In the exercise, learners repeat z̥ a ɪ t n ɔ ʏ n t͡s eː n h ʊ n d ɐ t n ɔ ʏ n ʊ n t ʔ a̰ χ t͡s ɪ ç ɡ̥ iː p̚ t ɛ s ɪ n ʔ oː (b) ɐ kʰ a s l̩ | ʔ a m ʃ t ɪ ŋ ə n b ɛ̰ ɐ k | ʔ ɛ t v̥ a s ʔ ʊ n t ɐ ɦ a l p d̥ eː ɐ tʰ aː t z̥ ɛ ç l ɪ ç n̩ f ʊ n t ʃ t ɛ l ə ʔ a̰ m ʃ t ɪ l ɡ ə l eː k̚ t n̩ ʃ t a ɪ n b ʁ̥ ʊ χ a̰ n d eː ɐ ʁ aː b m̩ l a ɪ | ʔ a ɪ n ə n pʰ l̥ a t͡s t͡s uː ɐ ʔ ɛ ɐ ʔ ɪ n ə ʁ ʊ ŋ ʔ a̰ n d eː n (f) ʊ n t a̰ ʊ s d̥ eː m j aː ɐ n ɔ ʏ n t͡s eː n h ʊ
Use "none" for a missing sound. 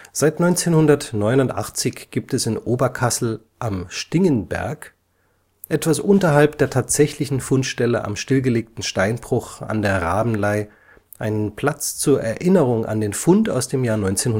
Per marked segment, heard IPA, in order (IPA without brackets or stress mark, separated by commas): b, f